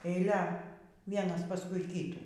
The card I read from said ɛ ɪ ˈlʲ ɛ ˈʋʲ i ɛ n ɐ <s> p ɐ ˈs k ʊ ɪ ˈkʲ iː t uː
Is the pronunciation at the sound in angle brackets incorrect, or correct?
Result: correct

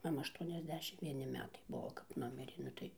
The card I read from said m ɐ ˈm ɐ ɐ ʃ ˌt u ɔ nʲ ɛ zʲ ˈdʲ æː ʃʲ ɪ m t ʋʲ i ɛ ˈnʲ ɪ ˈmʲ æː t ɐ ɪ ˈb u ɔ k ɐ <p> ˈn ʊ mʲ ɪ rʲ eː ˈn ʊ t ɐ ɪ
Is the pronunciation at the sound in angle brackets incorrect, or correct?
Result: correct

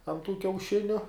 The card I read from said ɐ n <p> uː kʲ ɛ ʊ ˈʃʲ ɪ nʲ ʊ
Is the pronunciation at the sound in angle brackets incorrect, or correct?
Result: incorrect: t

